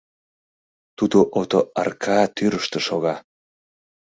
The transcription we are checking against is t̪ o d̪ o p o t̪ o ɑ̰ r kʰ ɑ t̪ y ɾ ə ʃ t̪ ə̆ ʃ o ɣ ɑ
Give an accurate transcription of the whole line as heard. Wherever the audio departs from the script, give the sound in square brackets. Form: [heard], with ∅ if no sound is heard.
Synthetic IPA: t̪ [u] d̪ o [ʔ] o t̪ o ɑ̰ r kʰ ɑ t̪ y ɾ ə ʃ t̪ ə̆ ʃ o ɣ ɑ